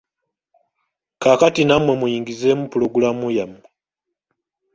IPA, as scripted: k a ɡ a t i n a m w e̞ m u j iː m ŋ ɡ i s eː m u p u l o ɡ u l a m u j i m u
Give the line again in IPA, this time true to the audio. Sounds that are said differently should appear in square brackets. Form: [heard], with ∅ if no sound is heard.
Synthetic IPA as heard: k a [k] a t i n a m w e̞ m u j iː [∅] ŋ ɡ i [z] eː m u p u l o ɡ u l a m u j [a] m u

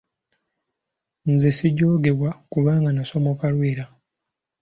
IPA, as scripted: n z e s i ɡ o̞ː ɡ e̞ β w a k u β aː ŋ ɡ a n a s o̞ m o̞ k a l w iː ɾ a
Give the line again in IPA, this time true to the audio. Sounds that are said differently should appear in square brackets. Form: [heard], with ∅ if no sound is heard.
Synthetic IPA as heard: n z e s i [ɟ] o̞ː ɡ e̞ β w a k u β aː ŋ ɡ a n a s o̞ m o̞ k a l w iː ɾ a

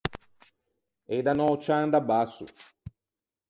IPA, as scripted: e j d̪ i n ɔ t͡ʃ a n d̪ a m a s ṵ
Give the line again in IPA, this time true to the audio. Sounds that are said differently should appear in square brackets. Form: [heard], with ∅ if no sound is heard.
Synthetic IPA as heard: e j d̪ [a] n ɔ t͡ʃ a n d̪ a [b] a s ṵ

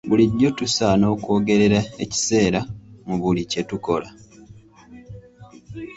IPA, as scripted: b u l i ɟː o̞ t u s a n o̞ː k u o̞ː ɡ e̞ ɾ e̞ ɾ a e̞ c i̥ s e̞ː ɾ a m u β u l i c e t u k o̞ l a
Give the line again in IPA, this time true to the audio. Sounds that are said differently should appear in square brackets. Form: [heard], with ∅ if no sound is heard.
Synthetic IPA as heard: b u l i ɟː o̞ t u s a n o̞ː k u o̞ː ɡ e̞ ɾ e̞ ɾ a e̞ c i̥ s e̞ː ɾ a m u β u l i c e t u k o̞ l a

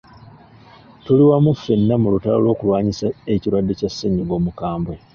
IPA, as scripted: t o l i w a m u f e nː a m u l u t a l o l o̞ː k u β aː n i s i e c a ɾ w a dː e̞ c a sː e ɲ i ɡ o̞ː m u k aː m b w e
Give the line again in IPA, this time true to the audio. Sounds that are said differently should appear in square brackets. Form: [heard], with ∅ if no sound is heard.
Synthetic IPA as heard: t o l i w a m u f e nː a m u l u t a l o l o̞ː k u β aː [ɲ] i s [a] e c [i] ɾ w a dː e̞ c a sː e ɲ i ɡ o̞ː m u k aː m b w e

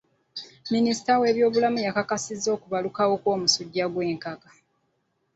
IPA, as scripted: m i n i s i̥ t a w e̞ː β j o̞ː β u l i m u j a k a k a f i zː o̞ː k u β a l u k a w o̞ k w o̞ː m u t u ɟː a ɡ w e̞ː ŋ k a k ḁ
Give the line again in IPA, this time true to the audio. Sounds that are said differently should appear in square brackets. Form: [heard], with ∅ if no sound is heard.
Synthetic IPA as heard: m i n i s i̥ t a w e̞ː β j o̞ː β u l [a] m u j a k a k a [s] i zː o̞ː k u β a l u k a w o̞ k w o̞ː m u [s] u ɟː a ɡ w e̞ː ŋ k a k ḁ

